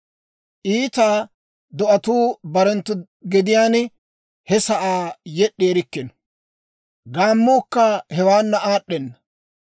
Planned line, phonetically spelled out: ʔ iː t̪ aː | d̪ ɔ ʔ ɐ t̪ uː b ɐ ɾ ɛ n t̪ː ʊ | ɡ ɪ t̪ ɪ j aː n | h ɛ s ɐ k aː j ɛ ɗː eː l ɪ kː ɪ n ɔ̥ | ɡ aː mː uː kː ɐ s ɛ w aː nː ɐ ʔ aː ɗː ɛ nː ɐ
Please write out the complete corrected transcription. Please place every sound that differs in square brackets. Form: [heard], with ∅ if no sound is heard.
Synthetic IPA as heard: ʔ iː t̪ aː | d̪ ɔ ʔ ɐ t̪ uː b ɐ ɾ ɛ n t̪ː ʊ | ɡ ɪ [d̪] ɪ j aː n | h ɛ s ɐ [ʔ] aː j ɛ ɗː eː [ɾ] ɪ kː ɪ n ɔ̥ | ɡ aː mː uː kː ɐ [h] ɛ w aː nː ɐ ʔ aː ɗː ɛ nː ɐ